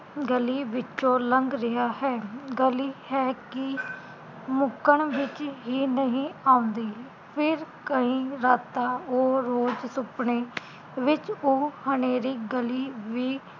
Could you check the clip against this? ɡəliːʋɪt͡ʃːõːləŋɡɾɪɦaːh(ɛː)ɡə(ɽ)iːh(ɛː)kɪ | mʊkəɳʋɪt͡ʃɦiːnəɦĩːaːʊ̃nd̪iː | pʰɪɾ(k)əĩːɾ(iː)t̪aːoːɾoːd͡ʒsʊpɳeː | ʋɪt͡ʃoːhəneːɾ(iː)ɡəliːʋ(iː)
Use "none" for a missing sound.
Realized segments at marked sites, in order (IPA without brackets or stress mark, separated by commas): ɛː, l, ɛː, k, aː, iː, iː